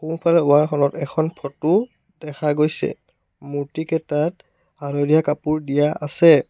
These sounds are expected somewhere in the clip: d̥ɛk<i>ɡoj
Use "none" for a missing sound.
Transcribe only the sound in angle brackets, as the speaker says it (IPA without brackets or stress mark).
a